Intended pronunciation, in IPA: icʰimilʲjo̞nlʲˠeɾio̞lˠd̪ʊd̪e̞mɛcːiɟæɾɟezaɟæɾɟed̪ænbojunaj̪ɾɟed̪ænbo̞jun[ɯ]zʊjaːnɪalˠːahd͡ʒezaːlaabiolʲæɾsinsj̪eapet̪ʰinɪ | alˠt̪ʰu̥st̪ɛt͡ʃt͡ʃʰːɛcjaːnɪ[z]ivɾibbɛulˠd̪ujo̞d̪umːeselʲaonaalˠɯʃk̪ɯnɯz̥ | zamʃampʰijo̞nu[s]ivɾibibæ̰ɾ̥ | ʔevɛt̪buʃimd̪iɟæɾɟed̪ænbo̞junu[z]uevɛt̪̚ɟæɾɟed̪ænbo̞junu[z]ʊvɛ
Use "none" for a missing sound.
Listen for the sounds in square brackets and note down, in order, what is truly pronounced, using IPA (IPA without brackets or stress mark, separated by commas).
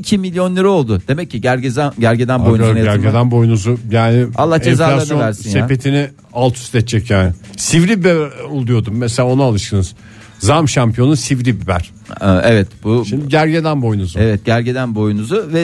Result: u, s, s, z, z